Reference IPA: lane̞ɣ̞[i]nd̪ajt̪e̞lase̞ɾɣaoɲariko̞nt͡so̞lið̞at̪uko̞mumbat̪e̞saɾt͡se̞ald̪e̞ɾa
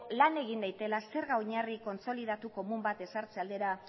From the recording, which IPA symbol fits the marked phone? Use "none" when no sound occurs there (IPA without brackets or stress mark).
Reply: i